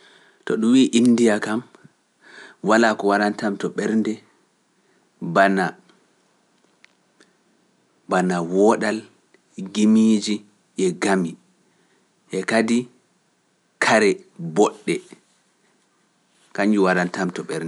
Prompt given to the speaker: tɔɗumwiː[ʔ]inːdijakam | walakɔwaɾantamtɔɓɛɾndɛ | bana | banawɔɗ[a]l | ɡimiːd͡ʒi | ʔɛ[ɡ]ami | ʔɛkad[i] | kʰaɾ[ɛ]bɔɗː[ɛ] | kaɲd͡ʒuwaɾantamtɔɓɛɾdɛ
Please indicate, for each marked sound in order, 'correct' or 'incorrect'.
correct, correct, correct, correct, correct, correct

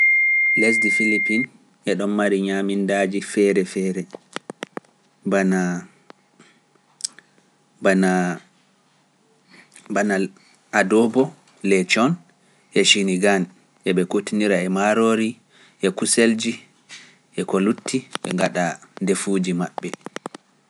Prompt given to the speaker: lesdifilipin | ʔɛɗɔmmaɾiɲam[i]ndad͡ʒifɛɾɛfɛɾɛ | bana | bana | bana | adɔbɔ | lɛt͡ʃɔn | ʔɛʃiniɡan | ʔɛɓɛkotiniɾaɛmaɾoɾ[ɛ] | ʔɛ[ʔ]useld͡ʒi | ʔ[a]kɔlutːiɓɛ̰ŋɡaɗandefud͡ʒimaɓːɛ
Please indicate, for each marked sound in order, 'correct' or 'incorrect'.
correct, incorrect, incorrect, incorrect

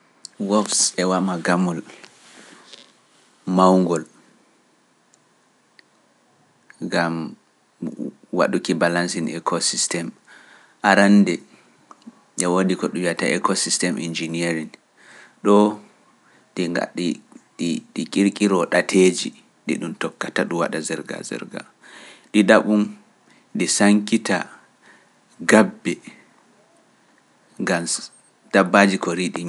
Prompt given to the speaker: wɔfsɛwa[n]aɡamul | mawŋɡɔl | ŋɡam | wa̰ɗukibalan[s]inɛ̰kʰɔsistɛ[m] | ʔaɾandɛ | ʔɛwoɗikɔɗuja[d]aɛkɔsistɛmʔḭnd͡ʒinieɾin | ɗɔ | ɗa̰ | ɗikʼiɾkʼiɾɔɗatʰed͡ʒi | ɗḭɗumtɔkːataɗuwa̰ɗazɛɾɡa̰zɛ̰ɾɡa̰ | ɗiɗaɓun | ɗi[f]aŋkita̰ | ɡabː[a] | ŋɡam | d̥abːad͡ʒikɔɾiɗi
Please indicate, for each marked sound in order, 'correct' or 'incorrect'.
incorrect, correct, correct, incorrect, incorrect, incorrect

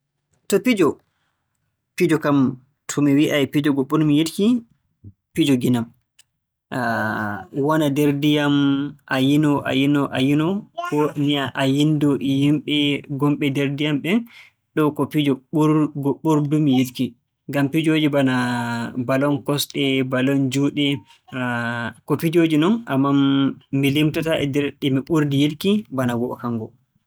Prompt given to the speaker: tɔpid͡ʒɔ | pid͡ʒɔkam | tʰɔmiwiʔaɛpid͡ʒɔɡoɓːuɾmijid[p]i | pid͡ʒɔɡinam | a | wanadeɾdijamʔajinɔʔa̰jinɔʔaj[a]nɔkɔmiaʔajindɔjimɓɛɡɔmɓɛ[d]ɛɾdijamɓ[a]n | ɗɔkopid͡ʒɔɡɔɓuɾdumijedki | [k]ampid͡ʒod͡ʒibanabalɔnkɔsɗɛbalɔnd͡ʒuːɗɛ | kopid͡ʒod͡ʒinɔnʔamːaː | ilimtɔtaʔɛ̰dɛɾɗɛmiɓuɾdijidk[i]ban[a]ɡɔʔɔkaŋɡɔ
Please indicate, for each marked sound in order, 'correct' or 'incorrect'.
incorrect, incorrect, correct, incorrect, incorrect, correct, correct

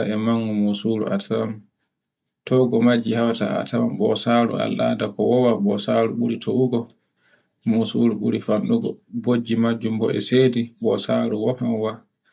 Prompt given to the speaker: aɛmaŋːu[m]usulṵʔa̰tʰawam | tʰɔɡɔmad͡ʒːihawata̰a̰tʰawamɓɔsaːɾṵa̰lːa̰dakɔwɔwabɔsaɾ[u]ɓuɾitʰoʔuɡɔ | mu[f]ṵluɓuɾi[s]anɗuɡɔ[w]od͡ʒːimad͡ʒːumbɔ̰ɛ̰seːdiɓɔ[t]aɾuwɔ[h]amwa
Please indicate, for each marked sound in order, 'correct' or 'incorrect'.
correct, correct, incorrect, incorrect, incorrect, incorrect, correct

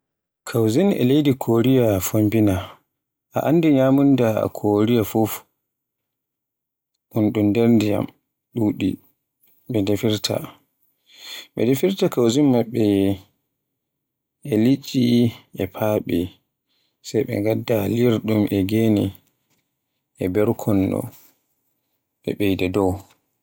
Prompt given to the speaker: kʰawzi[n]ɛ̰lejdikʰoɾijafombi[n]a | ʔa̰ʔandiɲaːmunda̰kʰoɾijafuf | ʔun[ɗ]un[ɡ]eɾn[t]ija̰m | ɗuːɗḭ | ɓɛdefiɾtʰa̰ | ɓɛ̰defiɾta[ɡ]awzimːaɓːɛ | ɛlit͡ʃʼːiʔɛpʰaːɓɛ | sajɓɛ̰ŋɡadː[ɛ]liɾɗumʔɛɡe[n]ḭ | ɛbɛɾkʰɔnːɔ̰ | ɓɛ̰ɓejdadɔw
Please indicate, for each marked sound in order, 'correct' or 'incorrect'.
correct, correct, correct, incorrect, incorrect, incorrect, incorrect, correct

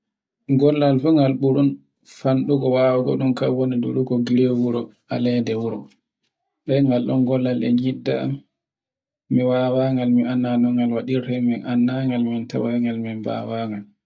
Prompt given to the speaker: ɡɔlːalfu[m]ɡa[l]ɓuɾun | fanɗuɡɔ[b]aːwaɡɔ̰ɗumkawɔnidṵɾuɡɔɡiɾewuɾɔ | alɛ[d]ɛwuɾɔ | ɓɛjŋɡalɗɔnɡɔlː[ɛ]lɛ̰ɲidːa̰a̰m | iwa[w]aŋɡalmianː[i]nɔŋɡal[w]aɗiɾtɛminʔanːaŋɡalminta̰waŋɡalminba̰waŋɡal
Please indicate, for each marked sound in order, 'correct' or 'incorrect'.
incorrect, correct, incorrect, correct, incorrect, correct, incorrect, correct

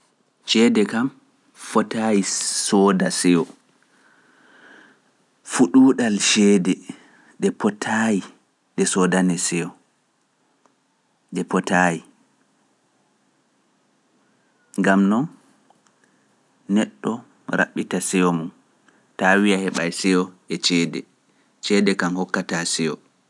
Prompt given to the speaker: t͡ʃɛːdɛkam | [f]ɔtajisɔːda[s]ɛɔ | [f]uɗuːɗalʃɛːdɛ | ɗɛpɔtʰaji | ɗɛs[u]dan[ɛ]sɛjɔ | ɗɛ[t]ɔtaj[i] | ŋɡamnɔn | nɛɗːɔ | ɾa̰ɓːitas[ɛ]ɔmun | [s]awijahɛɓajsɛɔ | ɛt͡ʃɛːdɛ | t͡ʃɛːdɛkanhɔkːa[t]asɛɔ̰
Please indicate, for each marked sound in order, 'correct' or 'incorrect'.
correct, correct, correct, incorrect, correct, incorrect, correct, correct, incorrect, correct

